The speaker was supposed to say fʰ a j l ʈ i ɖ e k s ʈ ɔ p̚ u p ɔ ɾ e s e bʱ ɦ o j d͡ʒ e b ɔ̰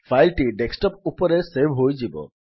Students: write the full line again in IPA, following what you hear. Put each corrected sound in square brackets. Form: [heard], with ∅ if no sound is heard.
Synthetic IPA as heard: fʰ a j l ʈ i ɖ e k s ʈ ɔ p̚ u p ɔ ɾ e s e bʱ ɦ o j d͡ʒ [i] b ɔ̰

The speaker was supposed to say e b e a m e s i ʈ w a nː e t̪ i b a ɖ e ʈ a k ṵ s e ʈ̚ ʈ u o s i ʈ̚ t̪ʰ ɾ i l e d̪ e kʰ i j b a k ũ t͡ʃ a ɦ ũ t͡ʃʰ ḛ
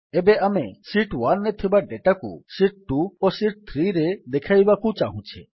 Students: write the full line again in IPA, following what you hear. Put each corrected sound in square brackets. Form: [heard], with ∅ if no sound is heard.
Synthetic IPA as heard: e b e a m e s i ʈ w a nː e [t̪ʰ] i b a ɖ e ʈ a k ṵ s [i] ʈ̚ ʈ u o s i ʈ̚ t̪ʰ ɾ i [ɾ] e d̪ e kʰ [a] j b a k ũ t͡ʃ a ɦ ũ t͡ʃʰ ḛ

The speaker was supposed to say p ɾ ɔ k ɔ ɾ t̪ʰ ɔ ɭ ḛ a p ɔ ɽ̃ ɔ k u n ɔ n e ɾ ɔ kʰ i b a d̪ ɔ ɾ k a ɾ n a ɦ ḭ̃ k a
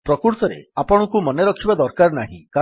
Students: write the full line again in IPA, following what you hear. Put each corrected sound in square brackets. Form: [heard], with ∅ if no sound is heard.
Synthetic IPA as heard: p ɾ ɔ k [u] ɾ [t̪] ɔ [ɾ] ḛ a p ɔ ɽ̃ ɔ k u [m] ɔ n e ɾ ɔ kʰ i b a d̪ ɔ ɾ k a ɾ n a ɦ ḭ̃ k a

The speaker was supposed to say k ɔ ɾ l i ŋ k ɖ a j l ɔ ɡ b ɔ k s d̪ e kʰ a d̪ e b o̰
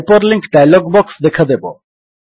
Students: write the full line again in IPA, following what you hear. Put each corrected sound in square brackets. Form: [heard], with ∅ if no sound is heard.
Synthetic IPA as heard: [p] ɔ ɾ l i ŋ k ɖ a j l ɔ ɡ b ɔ k s d̪ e kʰ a d̪ e b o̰

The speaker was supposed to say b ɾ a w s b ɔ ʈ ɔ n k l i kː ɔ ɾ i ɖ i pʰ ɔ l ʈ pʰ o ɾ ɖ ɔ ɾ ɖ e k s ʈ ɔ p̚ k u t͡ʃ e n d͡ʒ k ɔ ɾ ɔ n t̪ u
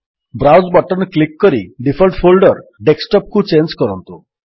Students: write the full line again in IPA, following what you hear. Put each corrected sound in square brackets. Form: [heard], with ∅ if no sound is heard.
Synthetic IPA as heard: b ɾ a w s b ɔ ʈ ɔ n k l i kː ɔ ɾ i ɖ i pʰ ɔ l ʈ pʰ o [l] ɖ ɔ ɾ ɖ e k s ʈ ɔ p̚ k u t͡ʃ e n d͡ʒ k ɔ ɾ ɔ n t̪ u

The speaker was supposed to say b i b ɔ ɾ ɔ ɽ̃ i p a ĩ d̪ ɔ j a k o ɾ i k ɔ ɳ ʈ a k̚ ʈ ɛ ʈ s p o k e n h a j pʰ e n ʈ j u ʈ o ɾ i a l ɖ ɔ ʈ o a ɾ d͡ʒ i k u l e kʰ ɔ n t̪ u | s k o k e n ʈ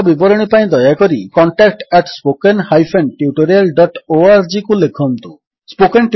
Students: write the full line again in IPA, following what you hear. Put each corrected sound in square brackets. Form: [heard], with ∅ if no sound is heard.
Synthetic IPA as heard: b i b ɔ ɾ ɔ ɽ̃ i p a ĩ d̪ ɔ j a k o ɾ i k ɔ ɳ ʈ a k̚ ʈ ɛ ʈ s p o k e n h a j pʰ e n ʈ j u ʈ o ɾ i a l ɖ ɔ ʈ o a ɾ d͡ʒ i k u l e kʰ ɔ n t̪ u | s [p] o k e n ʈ

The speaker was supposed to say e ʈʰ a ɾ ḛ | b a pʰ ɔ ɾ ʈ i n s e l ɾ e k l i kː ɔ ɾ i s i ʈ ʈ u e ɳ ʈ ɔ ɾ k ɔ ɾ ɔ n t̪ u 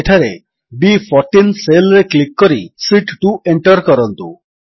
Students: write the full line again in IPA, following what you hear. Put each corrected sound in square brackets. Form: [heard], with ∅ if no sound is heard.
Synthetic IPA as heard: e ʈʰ a ɾ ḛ | b [i] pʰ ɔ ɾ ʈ i n s e l ɾ e k l i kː ɔ ɾ i s i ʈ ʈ u e ɳ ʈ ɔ ɾ k ɔ ɾ ɔ n t̪ u

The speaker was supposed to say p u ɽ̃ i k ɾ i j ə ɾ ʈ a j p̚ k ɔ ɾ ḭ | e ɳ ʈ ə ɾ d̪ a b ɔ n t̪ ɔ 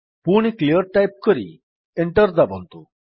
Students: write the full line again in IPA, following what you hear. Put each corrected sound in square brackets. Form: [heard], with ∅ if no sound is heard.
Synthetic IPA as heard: p u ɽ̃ i k [l] i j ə ɾ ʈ a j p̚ k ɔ ɾ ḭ | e ɳ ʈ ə ɾ d̪ a b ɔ n t̪ [u]

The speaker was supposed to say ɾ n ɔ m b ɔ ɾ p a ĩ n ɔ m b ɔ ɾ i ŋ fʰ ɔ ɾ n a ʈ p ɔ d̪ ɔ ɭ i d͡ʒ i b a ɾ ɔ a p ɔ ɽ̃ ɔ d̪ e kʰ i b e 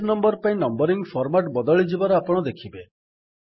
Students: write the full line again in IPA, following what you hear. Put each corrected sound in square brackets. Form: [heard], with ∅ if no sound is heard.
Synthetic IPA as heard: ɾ n ɔ m b ɔ ɾ p a ĩ n ɔ m b ɔ ɾ i ŋ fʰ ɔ ɾ [m] a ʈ [b] ɔ d̪ ɔ ɭ i d͡ʒ i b a ɾ ɔ a p ɔ ɽ̃ ɔ d̪ e kʰ i b e

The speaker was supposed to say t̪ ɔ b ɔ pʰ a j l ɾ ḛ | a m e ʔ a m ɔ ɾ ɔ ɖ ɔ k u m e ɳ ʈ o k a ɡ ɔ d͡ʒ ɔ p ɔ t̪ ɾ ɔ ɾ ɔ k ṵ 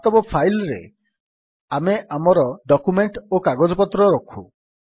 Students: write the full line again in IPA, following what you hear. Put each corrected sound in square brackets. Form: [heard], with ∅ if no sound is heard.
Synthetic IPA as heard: t̪ ɔ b ɔ pʰ a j l ɾ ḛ | a m e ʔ a m ɔ ɾ ɔ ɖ ɔ k u m e ɳ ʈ o k a ɡ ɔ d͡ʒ ɔ p ɔ t̪ ɾ ɔ ɾ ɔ [kʰ] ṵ

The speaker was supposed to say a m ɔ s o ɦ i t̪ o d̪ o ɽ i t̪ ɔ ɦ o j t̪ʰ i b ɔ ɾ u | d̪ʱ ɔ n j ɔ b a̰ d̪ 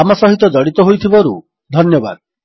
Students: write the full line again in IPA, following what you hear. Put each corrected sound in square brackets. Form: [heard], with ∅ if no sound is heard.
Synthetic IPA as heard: a m ɔ s [ɔ] ɦ i t̪ [ɔ] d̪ [ɔ] ɽ i t̪ ɔ ɦ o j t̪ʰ i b ɔ ɾ u | d̪ʱ ɔ n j ɔ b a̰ d̪

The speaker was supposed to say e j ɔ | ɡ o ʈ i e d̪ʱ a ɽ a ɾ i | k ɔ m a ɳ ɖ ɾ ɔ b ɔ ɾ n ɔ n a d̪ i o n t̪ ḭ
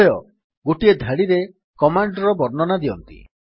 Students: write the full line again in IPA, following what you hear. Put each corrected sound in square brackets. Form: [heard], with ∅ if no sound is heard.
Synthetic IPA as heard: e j ɔ | ɡ o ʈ i e d̪ʱ a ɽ [i] ɾ [e] | k ɔ m a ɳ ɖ ɾ ɔ b ɔ ɾ n ɔ n a d̪ i [ɔ] n t̪ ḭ

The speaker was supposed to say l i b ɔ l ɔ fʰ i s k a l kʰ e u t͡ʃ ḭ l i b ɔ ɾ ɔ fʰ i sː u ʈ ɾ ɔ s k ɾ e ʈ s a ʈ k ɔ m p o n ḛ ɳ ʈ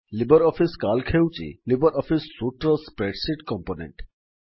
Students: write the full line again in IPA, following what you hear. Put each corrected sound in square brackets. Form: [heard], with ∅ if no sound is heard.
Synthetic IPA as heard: l i b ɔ [ɾ] ɔ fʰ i s k a l kʰ e [w] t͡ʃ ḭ l i b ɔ ɾ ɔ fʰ i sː u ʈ ɾ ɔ s [p] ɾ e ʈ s [i] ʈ k ɔ m p o n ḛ ɳ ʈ

